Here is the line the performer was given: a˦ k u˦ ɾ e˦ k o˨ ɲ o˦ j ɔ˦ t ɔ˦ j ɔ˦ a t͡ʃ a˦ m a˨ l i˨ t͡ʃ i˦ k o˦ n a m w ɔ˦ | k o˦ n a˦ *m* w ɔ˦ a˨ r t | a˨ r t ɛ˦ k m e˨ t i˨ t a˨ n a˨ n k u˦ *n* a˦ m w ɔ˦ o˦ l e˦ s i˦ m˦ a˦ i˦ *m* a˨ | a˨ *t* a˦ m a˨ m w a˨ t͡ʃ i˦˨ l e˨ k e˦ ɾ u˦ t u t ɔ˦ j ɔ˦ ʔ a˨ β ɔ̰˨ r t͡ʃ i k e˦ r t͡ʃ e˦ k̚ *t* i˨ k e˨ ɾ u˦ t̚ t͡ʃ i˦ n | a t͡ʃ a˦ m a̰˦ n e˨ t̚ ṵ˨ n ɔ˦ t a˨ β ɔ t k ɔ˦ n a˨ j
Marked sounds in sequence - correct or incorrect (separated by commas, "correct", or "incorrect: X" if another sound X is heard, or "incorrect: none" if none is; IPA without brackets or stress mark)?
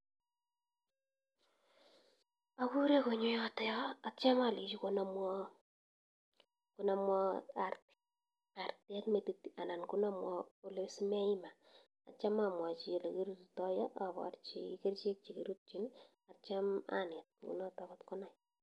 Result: correct, correct, correct, incorrect: t͡ʃ, incorrect: t͡ʃ